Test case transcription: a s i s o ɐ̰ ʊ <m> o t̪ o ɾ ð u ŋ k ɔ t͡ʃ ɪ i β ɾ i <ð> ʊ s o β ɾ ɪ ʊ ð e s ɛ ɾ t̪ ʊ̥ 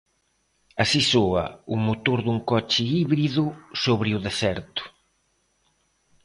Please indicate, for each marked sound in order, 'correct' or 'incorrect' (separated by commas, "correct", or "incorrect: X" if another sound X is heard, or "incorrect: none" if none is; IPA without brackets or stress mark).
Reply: correct, correct